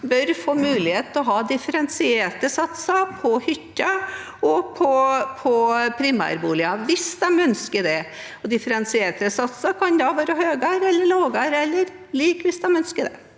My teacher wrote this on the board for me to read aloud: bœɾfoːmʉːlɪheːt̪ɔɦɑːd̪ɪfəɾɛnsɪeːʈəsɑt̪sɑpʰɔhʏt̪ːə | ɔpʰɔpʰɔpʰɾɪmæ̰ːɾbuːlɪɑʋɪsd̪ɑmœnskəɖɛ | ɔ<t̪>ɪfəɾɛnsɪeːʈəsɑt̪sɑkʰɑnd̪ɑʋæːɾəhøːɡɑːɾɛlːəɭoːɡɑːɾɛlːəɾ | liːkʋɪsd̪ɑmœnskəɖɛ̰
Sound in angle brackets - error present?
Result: yes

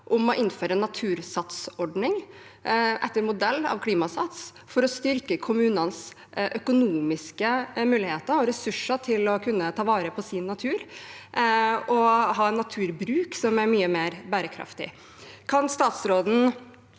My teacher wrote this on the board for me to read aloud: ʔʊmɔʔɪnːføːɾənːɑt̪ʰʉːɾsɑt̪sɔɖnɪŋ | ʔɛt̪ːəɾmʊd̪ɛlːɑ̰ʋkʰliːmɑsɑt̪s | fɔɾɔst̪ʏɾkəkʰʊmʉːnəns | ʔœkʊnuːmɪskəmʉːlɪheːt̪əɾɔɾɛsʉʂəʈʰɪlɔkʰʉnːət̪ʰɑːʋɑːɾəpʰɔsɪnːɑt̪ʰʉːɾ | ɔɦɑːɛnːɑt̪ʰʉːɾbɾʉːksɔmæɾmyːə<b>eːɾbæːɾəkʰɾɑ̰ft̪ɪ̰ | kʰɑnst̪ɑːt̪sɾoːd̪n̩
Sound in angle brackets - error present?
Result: yes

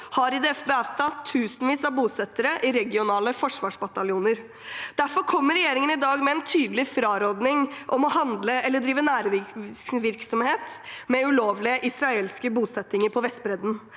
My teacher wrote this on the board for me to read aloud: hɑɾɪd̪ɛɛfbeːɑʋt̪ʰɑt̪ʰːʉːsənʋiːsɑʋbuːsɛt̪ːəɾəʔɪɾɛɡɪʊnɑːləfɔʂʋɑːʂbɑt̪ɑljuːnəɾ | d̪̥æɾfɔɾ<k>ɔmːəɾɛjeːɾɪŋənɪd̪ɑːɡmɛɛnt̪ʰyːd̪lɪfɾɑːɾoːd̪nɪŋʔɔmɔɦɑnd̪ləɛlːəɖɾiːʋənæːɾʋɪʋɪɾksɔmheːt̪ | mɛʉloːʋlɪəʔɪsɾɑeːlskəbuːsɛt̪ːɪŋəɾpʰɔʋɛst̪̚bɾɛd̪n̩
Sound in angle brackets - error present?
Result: yes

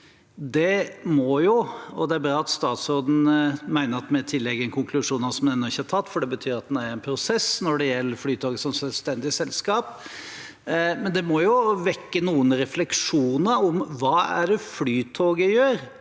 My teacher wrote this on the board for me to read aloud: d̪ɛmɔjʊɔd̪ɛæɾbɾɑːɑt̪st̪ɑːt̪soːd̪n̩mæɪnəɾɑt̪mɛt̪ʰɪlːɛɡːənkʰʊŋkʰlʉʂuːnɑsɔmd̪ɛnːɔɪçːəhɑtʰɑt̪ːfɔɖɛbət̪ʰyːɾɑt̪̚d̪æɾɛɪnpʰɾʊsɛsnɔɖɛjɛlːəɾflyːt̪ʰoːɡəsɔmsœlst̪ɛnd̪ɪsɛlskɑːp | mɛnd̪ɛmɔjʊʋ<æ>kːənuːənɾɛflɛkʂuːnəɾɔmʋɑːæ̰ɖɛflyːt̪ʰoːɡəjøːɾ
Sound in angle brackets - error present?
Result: yes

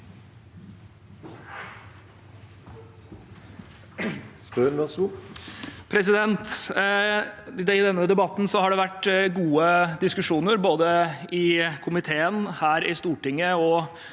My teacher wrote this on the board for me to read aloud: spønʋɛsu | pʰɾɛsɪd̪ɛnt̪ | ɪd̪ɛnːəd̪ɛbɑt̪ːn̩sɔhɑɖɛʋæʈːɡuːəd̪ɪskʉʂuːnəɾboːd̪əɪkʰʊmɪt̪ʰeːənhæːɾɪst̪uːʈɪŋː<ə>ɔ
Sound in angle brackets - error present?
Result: no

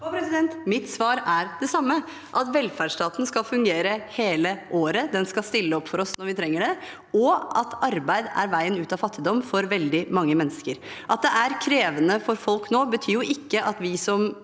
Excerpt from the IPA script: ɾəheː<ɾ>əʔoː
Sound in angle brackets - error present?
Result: yes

